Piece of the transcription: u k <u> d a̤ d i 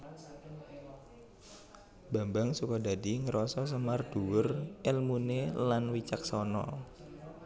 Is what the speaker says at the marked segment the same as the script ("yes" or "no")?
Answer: no